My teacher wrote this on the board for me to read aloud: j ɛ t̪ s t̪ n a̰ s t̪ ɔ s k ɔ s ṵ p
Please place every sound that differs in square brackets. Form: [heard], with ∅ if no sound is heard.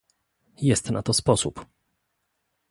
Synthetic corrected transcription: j ɛ [∅] s t̪ n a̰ [∅] t̪ ɔ s [p] ɔ s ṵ p

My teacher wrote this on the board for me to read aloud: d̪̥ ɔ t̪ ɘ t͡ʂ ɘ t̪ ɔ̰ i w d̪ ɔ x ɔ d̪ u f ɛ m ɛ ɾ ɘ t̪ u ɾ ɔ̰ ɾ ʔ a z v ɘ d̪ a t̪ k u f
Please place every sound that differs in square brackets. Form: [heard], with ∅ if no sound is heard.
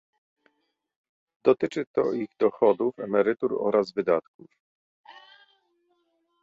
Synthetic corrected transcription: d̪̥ ɔ t̪ ɘ t͡ʂ ɘ t̪ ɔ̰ i [ɣ] d̪ ɔ x ɔ d̪ u f ɛ m ɛ ɾ ɘ t̪ u ɾ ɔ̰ ɾ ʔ a z v ɘ d̪ a t̪ k u f

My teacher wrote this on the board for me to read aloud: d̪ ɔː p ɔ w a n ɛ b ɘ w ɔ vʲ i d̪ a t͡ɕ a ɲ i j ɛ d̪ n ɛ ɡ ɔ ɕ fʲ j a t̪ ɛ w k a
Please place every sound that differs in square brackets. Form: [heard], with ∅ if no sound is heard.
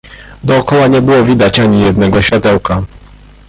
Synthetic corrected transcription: d̪ ɔː [k] ɔ w a [ɲ] ɛ b ɘ w ɔ vʲ i d̪ a t͡ɕ a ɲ i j ɛ d̪ n ɛ ɡ ɔ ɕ fʲ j a t̪ ɛ w k a

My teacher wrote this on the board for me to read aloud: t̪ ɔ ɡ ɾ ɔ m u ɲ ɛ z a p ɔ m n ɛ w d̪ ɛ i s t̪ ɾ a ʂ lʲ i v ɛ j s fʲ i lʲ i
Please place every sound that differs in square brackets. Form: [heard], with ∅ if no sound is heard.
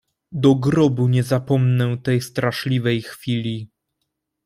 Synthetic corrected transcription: [d̪] ɔ ɡ ɾ ɔ [b] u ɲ ɛ z a p ɔ m n ɛ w [t̪] ɛ [j] s t̪ ɾ a ʂ lʲ i v ɛ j [x] fʲ i lʲ i

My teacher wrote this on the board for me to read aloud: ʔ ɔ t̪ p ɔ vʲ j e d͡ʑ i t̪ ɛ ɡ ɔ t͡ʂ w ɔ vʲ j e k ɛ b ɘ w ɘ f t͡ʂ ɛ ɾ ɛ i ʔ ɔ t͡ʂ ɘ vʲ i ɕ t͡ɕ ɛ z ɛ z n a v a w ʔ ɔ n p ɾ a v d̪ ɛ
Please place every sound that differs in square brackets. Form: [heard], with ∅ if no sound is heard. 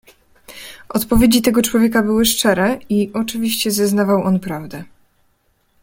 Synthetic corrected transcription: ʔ ɔ t̪ p ɔ vʲ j e d͡ʑ i t̪ ɛ ɡ ɔ t͡ʂ w ɔ vʲ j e k [a] b ɘ w ɘ [ʂ] t͡ʂ ɛ ɾ ɛ i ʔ ɔ t͡ʂ ɘ vʲ i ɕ t͡ɕ ɛ z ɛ z n a v a w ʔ ɔ n p ɾ a v d̪ ɛ

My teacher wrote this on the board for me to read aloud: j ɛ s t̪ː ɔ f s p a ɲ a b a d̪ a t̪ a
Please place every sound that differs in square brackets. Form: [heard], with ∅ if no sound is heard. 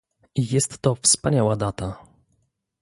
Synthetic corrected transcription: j ɛ s t̪ː ɔ f s p a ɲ a [w] a d̪ a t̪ a

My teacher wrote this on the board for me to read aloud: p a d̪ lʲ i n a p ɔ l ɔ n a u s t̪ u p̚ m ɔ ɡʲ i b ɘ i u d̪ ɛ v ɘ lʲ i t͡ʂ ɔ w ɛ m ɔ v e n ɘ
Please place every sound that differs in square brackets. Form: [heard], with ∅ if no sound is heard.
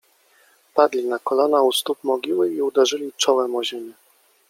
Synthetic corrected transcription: p a d̪ lʲ i n a [k] ɔ l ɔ n a u s t̪ u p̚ m ɔ ɡʲ i [w] ɘ i u d̪ ɛ [ʐ] ɘ lʲ i t͡ʂ ɔ w ɛ m ɔ [ʑ] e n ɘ

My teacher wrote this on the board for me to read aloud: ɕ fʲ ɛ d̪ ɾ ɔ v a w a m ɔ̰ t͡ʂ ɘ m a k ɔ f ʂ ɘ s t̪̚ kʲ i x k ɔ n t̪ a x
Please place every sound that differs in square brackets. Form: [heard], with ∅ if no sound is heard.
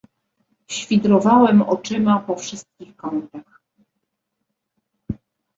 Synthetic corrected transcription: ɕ fʲ [i] d̪ ɾ ɔ v a w [ɛ] m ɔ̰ t͡ʂ ɘ m a [p] ɔ f ʂ ɘ s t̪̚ kʲ i x k ɔ n t̪ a x

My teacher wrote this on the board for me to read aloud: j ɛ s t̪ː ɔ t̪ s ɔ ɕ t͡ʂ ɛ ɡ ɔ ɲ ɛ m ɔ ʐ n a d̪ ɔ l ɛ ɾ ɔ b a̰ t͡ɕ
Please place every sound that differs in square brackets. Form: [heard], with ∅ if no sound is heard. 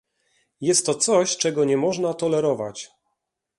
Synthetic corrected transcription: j ɛ s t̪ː ɔ t̪ s ɔ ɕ t͡ʂ ɛ ɡ ɔ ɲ ɛ m ɔ ʐ n a [t̪] ɔ l ɛ ɾ ɔ [v] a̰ t͡ɕ

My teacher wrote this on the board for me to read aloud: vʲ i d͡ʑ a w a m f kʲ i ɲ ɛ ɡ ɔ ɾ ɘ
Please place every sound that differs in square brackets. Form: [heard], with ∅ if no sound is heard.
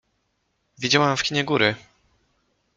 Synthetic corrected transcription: vʲ i d͡ʑ a w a m f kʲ i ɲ ɛ ɡ [u] ɾ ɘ

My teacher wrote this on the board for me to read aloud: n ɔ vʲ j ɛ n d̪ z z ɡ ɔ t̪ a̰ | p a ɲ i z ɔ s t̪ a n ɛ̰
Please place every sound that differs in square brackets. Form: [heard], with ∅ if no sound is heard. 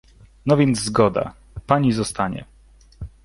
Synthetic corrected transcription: n ɔ vʲ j ɛ n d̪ z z ɡ ɔ [d̪] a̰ | p a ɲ i z ɔ s t̪ a [ɲ] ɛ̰

